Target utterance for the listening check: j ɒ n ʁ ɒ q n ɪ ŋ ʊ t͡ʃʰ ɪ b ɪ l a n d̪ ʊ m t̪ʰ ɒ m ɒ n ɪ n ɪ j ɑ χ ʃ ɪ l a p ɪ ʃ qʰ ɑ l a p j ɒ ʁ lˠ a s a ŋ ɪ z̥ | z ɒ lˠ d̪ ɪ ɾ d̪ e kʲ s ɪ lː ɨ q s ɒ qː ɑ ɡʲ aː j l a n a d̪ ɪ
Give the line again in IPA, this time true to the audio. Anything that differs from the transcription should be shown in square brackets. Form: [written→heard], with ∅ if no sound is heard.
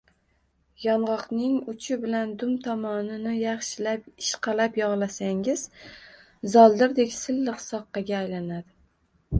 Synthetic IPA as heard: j ɒ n ʁ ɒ q n ɪ ŋ ʊ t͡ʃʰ ɪ b ɪ l a n d̪ ʊ m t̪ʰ ɒ m ɒ n ɪ n ɪ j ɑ χ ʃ ɪ l a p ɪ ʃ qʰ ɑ l a p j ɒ ʁ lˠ a s a ŋ ɪ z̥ | z ɒ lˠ d̪ ɪ ɾ d̪ e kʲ s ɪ lː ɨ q s ɒ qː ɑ ɡʲ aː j l a n a d̪ ɪ